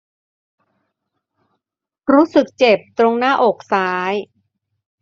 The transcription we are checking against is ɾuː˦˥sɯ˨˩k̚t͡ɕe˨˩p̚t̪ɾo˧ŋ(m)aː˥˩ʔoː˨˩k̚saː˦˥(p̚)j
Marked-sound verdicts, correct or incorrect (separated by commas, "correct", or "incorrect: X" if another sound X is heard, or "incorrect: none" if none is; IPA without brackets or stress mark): incorrect: n, incorrect: none